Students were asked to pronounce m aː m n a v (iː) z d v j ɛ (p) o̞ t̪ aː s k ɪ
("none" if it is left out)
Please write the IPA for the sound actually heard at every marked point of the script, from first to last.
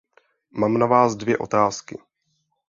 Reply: aː, ʔ

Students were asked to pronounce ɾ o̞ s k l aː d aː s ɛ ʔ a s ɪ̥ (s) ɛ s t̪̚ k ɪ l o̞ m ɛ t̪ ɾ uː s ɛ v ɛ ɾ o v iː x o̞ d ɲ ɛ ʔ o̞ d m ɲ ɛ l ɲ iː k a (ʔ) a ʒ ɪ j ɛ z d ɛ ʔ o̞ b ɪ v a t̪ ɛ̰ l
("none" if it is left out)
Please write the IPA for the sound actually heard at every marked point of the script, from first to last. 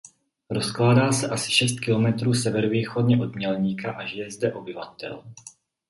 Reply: ʃ, ʔ

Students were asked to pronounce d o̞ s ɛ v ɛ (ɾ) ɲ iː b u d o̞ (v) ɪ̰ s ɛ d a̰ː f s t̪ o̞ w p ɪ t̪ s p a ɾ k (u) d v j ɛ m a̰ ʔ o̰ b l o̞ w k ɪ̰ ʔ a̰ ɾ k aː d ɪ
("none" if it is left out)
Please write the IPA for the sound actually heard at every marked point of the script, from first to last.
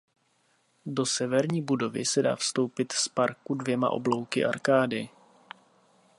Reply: ɾ, v, u

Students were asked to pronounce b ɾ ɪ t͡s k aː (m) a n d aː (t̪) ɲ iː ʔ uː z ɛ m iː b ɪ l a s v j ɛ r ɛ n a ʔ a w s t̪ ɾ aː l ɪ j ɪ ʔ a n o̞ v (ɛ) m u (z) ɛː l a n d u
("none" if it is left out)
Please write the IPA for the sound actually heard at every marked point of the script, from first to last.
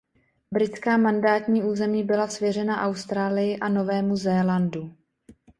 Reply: m, t̪, ɛː, z

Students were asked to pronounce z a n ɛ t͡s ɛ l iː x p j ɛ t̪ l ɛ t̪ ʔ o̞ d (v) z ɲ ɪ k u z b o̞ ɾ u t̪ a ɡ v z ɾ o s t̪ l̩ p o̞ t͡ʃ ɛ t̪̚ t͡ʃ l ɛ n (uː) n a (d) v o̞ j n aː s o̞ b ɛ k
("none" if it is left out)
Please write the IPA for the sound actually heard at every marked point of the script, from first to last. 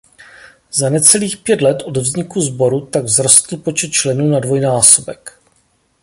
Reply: v, uː, d

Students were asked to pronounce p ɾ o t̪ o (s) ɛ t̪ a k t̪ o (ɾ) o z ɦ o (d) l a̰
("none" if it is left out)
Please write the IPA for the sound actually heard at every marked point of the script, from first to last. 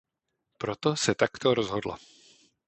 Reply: s, ɾ, d

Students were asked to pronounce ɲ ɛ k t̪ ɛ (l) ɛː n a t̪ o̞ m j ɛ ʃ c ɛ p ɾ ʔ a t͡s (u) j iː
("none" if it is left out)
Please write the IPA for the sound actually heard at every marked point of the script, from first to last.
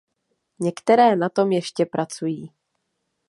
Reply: ɾ, u

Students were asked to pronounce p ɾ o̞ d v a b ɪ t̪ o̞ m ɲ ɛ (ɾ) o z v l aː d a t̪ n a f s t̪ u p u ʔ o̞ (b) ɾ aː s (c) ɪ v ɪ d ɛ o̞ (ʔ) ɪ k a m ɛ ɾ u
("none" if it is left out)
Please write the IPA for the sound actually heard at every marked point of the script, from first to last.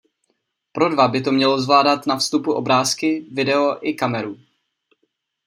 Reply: l, b, k, ʔ

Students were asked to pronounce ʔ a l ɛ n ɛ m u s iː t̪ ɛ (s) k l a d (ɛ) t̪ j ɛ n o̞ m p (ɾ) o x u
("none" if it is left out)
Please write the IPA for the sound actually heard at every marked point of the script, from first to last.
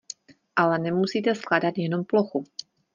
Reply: s, a, l

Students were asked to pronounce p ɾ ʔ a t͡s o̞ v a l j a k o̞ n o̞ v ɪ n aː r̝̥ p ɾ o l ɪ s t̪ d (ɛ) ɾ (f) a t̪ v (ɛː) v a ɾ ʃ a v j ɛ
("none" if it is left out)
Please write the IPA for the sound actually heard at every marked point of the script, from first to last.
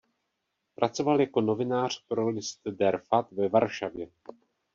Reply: ɛ, f, ɛ

